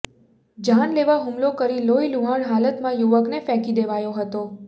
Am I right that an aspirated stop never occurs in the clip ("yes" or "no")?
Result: yes